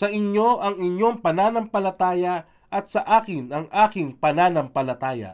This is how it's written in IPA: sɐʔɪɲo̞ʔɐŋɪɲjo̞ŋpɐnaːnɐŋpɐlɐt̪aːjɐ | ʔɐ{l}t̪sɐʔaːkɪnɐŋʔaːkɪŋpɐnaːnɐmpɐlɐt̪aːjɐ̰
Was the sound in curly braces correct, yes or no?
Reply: no